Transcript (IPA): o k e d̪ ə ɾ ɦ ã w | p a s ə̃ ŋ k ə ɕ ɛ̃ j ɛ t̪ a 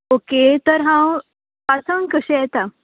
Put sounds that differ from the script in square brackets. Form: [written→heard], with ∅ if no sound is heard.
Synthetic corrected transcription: o k e [d̪→t̪] ə ɾ ɦ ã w | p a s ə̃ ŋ k ə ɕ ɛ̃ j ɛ t̪ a